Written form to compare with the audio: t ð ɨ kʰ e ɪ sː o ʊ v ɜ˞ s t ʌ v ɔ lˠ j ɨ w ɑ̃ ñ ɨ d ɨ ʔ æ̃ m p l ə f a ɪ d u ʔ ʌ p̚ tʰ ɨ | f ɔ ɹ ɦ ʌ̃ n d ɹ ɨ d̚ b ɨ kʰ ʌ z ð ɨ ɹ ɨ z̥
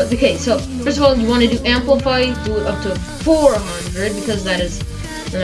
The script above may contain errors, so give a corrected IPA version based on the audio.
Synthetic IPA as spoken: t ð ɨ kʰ e ɪ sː o ʊ f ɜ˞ s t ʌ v ɔ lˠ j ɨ w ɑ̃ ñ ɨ d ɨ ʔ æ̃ m p l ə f a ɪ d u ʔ ʌ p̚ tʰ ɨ | f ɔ ɹ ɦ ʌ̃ n d ɹ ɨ d̚ b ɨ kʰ ʌ z ð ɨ ɾ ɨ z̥